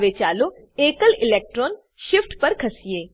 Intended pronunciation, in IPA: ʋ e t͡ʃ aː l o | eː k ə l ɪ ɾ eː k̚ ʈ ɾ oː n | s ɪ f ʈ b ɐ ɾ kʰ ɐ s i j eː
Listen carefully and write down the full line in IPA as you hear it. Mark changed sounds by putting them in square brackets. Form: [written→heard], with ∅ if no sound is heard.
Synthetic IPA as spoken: ʋ e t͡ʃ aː l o | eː k ə l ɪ [ɾ→l] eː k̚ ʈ ɾ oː n | [s→ʃ] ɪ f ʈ [b→p] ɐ ɾ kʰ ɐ s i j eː